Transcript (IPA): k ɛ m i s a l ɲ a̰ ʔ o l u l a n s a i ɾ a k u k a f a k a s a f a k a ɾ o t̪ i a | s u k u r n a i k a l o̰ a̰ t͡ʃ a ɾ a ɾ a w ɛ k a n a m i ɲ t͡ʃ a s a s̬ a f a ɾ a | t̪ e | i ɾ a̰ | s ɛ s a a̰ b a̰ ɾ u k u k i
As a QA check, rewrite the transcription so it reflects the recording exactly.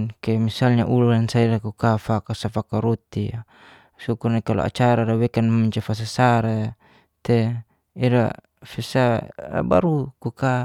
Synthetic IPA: k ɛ m i s a l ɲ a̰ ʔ u l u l a n s a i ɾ a k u k a f a k a s a f a k a ɾ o t̪ i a | s u k u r n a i k a l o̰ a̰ t͡ʃ a ɾ a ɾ a w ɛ k a n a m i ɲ t͡ʃ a f a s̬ a s a ɾ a | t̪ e | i ɾ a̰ | f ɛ s a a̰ b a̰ ɾ u k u k a